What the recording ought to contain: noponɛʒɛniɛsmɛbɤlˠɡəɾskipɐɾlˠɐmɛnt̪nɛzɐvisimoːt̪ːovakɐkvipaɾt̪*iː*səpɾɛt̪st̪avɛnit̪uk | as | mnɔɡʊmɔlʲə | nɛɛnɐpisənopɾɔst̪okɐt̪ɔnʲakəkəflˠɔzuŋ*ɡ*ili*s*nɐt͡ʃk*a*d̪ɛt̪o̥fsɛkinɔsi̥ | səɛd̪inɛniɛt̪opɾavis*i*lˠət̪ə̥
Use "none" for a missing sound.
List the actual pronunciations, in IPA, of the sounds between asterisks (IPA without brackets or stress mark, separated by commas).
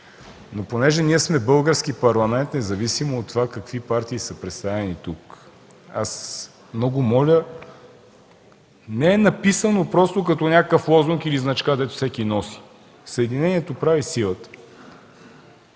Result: iː, k, z, a, i